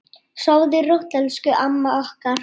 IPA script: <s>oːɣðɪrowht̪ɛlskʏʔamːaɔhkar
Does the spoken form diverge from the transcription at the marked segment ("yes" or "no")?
no